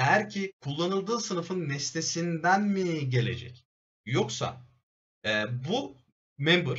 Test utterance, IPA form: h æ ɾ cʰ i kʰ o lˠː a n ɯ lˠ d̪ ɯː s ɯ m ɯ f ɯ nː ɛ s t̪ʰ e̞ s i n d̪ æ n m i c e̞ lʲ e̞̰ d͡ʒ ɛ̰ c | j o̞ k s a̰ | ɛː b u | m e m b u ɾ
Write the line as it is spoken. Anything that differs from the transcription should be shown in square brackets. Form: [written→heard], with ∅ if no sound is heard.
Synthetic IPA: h æ ɾ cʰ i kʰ [o→u] lˠː a n ɯ lˠ d̪ ɯː s ɯ [m→n] ɯ f ɯ nː ɛ s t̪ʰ e̞ s i n d̪ æ n m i [c→ɟ] e̞ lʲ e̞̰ d͡ʒ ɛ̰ c | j o̞ k s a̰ | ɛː b u | m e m b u ɾ